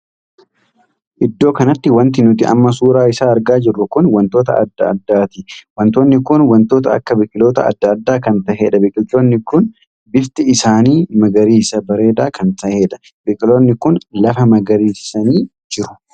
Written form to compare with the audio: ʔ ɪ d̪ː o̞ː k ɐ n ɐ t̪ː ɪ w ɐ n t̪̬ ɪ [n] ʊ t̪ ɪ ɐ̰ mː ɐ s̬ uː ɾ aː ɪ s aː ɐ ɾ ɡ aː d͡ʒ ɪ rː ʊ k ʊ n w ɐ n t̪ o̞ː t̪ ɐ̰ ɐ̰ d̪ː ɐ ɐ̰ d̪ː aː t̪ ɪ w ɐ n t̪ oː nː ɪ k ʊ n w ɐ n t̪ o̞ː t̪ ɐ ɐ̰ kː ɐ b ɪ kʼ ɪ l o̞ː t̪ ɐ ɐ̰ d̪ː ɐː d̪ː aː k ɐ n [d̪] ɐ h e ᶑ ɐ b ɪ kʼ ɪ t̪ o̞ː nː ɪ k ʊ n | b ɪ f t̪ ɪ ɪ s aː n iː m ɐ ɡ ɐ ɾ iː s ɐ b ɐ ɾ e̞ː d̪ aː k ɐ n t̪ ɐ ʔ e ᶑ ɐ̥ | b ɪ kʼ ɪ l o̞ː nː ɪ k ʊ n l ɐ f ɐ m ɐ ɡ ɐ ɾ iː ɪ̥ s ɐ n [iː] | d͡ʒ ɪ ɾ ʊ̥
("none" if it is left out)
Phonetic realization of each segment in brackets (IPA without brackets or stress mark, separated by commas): n, t̪, iː